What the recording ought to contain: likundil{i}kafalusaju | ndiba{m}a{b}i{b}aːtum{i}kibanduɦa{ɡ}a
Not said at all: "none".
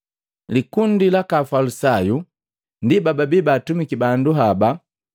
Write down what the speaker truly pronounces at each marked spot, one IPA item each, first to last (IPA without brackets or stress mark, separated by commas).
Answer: a, b, b, b, i, b